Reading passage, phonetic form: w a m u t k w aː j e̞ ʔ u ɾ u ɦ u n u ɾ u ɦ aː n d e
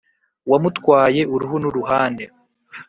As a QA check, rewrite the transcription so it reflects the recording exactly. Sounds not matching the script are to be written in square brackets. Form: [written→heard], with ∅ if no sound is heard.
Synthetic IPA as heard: w a m u t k w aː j e̞ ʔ u ɾ u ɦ u n u ɾ u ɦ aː n d e